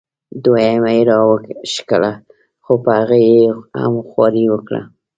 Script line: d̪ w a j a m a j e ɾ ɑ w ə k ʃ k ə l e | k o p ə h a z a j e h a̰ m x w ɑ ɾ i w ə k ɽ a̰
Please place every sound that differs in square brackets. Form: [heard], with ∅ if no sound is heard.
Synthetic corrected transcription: d̪ w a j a m a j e ɾ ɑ w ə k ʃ k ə l [a] | [x] o p ə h a [ɣ] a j e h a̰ m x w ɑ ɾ i w ə k ɽ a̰